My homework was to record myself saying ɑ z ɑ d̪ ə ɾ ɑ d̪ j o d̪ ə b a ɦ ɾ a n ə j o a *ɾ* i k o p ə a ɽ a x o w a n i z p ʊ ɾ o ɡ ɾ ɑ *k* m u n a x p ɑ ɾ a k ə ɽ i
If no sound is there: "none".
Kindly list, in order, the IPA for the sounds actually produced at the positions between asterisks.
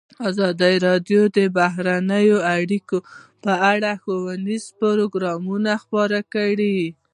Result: ɽ, none

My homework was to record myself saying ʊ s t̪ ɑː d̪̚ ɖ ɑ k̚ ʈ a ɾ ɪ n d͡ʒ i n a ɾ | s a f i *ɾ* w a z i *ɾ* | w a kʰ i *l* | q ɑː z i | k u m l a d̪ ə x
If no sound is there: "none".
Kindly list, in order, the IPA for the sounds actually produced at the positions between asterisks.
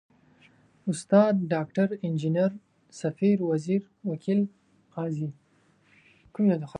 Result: ɾ, ɾ, l

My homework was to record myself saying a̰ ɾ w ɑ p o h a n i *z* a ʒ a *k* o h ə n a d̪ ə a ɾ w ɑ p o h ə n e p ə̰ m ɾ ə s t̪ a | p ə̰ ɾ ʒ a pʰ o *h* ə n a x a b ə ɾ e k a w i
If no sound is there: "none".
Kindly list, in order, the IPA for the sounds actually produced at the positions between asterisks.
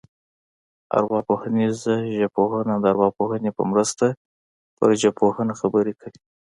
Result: z, p, h

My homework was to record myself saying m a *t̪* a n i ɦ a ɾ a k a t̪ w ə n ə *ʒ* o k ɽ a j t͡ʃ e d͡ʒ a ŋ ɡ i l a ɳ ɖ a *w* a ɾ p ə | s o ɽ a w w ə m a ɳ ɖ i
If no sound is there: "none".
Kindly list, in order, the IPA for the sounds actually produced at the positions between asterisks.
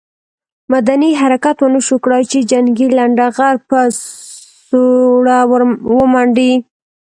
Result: d̪, ʃ, ɣ

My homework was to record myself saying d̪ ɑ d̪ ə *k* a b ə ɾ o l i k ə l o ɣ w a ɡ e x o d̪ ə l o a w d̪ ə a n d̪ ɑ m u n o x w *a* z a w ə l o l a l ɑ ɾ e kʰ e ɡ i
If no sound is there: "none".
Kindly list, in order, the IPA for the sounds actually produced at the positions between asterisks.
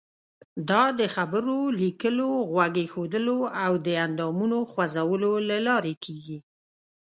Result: x, a

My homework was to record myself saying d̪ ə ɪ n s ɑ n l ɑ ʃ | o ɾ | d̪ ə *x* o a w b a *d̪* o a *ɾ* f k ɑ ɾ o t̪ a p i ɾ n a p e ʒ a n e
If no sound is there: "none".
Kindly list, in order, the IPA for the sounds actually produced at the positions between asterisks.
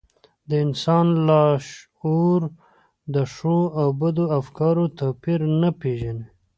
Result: ʂ, d̪, none

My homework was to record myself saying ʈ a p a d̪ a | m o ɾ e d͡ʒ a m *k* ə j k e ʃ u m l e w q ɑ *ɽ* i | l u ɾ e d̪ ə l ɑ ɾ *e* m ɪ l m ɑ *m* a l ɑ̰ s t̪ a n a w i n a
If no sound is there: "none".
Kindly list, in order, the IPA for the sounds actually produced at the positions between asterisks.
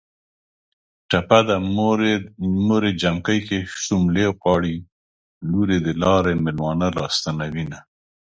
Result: k, ɽ, e, n

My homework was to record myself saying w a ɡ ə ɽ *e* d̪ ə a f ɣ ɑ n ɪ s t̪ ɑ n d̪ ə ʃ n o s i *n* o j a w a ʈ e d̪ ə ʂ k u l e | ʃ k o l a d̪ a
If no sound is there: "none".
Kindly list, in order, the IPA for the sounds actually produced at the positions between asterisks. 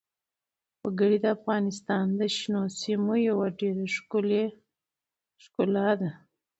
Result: i, m

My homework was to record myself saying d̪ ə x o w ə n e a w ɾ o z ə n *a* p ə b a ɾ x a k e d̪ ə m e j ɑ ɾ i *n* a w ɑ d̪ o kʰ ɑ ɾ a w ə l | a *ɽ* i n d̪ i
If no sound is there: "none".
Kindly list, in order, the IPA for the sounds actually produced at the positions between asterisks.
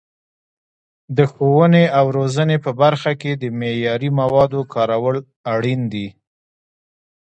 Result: e, m, ɽ

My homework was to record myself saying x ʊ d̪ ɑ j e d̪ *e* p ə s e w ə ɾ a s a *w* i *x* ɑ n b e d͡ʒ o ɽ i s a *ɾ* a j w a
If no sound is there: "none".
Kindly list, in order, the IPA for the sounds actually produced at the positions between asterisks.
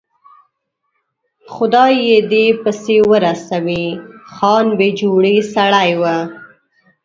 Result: e, w, x, ɽ

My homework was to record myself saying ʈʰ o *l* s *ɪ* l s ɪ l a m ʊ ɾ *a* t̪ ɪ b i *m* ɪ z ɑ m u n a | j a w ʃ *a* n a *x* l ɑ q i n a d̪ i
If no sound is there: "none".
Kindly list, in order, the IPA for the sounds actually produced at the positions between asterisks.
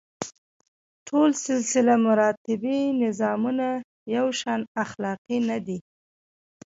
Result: l, ɪ, ɑ, n, ɑ, x

